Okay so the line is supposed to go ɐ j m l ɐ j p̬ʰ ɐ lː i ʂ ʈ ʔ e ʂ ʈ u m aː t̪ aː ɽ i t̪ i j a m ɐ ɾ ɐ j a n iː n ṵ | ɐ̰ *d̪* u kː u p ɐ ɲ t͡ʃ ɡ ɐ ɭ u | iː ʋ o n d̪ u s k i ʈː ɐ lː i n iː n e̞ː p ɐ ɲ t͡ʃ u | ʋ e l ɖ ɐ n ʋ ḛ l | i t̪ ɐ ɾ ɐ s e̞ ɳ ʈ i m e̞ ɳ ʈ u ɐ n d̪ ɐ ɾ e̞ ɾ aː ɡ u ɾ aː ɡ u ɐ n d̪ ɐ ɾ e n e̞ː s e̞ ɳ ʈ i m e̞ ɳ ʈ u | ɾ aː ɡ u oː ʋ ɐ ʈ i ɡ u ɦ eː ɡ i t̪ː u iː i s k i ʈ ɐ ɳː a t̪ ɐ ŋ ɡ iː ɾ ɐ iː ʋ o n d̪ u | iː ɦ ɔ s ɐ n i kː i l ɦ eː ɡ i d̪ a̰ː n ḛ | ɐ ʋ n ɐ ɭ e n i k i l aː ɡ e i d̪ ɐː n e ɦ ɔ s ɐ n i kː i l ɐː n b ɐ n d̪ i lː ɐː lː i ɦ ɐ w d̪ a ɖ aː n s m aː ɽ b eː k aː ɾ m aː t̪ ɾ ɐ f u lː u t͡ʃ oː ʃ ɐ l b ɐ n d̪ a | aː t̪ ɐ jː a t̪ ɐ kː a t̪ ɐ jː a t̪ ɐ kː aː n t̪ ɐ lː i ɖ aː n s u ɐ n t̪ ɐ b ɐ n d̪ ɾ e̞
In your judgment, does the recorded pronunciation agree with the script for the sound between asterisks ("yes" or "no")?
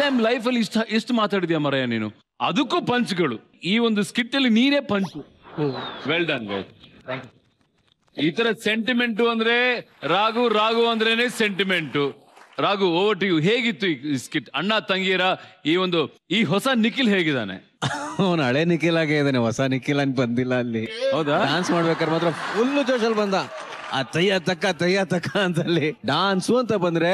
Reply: yes